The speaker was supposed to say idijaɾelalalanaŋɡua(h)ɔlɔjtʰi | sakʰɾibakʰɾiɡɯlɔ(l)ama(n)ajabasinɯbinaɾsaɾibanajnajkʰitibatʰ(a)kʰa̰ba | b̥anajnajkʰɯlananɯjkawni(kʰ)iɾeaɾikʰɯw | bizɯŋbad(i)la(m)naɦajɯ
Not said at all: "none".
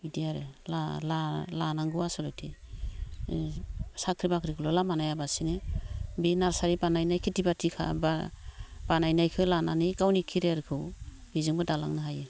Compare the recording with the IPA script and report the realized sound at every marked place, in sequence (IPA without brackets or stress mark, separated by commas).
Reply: s, l, n, i, kʰ, a, ŋ